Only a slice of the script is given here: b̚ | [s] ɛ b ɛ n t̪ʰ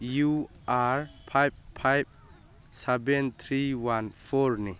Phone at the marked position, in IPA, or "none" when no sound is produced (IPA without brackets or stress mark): s